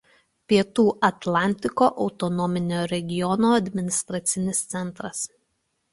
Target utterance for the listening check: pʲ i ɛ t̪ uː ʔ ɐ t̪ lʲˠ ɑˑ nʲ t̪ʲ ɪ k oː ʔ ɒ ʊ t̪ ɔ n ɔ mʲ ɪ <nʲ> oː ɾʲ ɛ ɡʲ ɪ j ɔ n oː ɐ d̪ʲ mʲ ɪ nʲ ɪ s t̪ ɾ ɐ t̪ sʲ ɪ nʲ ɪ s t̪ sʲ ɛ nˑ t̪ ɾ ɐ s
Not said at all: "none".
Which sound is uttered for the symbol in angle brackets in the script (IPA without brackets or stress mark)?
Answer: nʲ